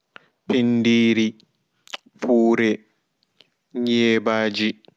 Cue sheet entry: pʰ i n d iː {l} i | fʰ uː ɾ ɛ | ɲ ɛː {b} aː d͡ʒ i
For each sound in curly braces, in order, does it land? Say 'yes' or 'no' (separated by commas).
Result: no, yes